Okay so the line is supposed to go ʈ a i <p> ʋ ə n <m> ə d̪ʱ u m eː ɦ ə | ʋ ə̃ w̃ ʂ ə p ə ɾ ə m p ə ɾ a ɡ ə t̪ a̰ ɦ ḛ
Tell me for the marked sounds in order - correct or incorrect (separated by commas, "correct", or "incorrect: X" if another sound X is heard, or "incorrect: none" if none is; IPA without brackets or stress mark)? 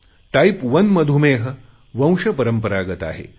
correct, correct